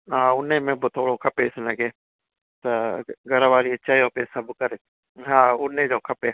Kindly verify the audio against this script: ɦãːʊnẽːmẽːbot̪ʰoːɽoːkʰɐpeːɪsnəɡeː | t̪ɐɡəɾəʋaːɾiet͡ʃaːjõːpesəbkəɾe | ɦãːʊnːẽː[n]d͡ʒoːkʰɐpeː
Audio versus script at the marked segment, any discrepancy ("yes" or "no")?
yes